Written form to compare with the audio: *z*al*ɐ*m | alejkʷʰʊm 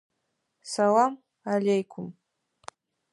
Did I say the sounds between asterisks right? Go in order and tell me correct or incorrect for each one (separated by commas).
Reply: incorrect, incorrect